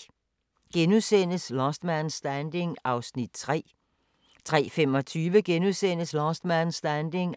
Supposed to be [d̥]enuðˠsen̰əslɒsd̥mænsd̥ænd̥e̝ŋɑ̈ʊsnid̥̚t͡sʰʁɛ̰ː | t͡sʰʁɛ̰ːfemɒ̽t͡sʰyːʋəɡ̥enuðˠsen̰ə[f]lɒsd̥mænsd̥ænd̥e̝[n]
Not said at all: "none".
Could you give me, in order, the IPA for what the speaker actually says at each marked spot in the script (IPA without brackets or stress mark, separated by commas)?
ɡ̥, s, ŋ